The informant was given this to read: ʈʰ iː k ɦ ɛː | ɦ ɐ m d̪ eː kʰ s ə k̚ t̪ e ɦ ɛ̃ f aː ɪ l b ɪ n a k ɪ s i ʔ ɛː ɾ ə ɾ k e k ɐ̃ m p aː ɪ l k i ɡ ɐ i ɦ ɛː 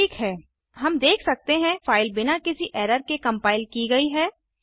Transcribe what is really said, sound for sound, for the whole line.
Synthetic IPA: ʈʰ iː k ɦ ɛː | ɦ ɐ m d̪ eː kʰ s ɐ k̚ t̪ e ɦ ɛ̃ f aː ɪ l b ɪ n a k ɪ s i ʔ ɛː ɾ ə ɾ k e k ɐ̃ m p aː ɪ l k i ɡ ɐ i ɦ ɛː